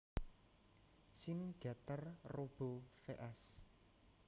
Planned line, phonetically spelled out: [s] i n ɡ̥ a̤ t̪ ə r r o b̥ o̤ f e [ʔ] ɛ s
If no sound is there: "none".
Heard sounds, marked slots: s, ʔ

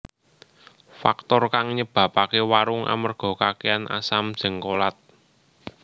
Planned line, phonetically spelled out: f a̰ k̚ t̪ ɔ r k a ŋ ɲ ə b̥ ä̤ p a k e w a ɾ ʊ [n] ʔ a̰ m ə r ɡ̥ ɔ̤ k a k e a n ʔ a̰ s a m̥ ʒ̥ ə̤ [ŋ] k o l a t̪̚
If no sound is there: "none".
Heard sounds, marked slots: ŋ, ŋ

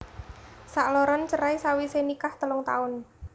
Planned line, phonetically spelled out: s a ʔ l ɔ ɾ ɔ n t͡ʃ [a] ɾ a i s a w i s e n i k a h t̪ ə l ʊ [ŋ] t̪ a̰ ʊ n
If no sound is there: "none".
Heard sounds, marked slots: ə, ŋ

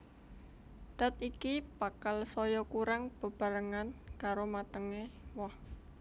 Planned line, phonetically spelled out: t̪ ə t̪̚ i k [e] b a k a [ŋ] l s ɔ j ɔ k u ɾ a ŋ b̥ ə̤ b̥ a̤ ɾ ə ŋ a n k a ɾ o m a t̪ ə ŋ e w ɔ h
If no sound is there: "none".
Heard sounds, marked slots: i, none

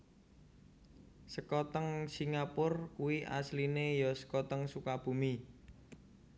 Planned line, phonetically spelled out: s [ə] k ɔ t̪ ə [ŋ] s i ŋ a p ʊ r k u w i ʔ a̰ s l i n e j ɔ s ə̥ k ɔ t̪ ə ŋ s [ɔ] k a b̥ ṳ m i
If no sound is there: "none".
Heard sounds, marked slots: ə, ŋ, u

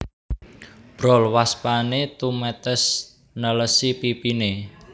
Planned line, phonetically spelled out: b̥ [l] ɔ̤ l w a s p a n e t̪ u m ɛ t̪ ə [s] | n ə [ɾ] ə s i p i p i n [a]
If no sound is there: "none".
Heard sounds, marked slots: ɾ, s, l, e

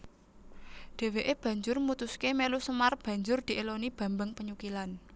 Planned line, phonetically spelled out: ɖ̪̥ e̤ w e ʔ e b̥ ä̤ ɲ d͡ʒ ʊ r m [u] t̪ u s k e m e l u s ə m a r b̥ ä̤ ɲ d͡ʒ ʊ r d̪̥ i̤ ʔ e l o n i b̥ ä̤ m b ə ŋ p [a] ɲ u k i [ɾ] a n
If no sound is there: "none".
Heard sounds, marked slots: u, ə, l

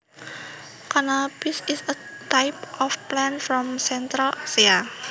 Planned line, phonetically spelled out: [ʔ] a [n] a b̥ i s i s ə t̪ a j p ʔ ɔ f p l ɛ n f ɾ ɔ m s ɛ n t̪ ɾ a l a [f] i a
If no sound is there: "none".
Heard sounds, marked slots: k, n, s

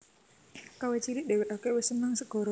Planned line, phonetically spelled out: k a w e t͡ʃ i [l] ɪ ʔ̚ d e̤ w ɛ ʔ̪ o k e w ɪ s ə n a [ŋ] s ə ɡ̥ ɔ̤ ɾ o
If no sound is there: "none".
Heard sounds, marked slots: ɾ, ŋ

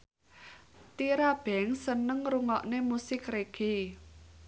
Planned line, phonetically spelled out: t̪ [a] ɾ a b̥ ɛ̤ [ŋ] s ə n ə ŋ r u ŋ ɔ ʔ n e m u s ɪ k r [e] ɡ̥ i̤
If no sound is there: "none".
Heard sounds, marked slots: i, ŋ, e

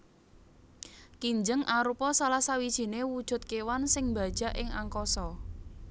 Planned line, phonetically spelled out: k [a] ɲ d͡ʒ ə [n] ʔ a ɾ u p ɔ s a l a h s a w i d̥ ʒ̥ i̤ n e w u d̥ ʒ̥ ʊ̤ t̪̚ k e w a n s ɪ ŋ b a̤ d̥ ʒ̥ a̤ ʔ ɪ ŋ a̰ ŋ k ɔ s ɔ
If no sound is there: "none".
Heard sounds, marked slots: i, ŋ

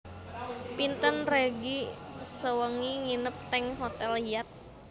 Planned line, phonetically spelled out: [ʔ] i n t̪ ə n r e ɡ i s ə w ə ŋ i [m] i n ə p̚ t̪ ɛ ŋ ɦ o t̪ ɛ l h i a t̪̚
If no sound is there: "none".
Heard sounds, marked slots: p, ŋ

